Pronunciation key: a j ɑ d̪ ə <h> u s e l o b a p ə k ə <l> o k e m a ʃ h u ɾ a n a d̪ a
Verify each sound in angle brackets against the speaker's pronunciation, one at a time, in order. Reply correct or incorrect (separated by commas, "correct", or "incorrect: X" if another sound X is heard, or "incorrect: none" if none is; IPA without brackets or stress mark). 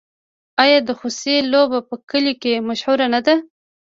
incorrect: x, correct